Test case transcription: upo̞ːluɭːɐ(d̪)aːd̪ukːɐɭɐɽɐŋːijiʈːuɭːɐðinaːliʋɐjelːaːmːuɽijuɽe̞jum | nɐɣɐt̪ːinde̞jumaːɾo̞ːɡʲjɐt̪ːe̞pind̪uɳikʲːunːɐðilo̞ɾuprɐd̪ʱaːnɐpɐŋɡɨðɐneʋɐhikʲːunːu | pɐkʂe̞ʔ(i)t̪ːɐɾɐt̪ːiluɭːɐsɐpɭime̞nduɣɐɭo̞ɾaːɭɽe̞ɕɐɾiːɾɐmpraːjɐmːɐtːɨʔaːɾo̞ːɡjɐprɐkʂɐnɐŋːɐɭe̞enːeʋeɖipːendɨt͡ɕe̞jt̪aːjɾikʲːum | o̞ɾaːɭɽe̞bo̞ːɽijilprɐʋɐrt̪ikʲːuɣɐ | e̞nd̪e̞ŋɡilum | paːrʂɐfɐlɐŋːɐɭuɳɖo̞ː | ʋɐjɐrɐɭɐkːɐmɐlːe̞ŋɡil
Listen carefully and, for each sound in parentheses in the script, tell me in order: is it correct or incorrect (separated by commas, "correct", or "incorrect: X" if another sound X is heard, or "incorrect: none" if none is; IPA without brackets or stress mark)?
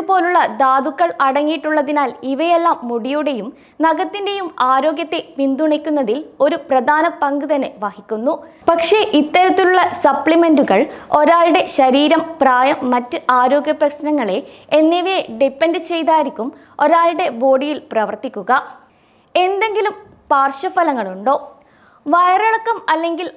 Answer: correct, correct